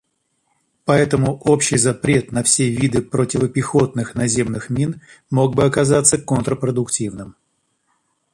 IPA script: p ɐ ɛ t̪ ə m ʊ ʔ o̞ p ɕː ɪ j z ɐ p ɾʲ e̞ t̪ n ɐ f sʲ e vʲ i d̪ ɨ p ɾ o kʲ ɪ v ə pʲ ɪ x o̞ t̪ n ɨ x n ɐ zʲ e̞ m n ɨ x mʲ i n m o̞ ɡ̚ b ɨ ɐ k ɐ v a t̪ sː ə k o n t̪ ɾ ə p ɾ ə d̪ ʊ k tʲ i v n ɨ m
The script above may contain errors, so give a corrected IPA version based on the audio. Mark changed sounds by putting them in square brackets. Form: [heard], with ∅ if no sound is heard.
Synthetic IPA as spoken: p ɐ ɛ t̪ ə m ʊ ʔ o̞ p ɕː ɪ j z ɐ p ɾʲ e̞ t̪ n ɐ f sʲ e vʲ i d̪ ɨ p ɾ o [tʲ] ɪ v ə pʲ ɪ x o̞ t̪ n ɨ x n ɐ zʲ e̞ m n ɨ x mʲ i n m o̞ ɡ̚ b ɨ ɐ k ɐ [z] a t̪ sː ə k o n t̪ ɾ ə p ɾ ə d̪ ʊ k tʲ i v n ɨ m